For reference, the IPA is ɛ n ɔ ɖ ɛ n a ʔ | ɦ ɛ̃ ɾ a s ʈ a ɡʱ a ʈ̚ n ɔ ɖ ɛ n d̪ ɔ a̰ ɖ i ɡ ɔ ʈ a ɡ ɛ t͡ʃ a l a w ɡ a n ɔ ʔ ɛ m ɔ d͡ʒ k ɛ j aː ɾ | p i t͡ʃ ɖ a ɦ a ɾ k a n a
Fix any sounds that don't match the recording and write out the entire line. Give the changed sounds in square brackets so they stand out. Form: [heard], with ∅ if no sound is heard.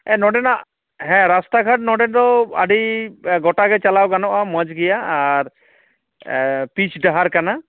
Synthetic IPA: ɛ n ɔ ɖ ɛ n a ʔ | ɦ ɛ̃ ɾ a s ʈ a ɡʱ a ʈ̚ n ɔ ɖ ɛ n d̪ ɔ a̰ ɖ i ɡ ɔ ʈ a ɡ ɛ t͡ʃ a l a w ɡ a n ɔ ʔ [a] m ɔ d͡ʒ [ɡ] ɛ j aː ɾ | p i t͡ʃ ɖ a ɦ a ɾ k a n a